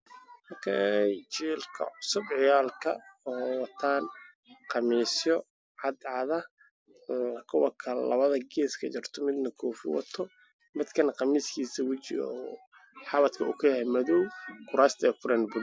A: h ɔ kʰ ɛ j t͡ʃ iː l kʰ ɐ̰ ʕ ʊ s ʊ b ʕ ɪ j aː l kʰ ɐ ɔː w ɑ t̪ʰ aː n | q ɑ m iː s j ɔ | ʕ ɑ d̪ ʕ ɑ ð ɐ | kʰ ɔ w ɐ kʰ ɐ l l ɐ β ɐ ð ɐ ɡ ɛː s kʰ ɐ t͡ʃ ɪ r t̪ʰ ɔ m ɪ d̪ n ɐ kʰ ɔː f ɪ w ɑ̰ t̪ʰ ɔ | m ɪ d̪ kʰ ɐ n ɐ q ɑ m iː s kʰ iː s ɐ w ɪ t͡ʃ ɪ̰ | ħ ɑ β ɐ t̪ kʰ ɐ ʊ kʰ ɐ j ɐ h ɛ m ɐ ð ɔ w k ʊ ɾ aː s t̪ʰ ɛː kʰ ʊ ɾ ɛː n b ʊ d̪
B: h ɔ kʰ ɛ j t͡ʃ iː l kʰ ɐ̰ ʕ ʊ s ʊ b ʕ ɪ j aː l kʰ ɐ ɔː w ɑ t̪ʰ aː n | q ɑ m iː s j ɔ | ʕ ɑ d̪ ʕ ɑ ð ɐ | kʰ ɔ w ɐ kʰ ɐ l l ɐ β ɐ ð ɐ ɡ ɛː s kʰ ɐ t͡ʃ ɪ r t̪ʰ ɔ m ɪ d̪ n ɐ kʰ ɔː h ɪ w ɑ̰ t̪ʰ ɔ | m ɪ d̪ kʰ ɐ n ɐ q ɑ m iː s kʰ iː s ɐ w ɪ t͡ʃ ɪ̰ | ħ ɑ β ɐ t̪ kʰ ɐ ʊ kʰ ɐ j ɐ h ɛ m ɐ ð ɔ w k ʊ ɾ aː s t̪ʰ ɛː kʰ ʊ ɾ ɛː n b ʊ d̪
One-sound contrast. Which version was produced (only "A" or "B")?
A